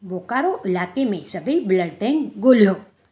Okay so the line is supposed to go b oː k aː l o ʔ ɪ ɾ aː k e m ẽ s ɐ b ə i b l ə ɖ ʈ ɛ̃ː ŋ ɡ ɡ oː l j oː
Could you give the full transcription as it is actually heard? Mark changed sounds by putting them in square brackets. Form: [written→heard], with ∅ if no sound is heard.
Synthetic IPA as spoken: b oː k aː [l→ɾ] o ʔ ɪ [ɾ→l] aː k e m ẽ s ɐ b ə i b l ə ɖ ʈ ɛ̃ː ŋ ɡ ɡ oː l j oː